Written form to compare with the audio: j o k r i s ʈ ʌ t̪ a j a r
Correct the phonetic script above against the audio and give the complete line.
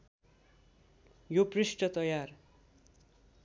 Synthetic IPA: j o p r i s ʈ ʌ t̪ ʌ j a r